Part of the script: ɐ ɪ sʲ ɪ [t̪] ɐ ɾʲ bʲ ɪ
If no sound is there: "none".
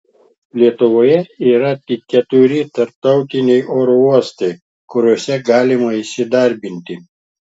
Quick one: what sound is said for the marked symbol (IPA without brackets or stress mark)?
d̪